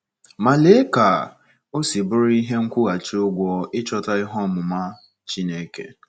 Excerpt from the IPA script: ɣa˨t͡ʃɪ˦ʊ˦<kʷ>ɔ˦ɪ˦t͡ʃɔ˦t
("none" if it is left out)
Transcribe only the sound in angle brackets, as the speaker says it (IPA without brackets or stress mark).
ɡʷ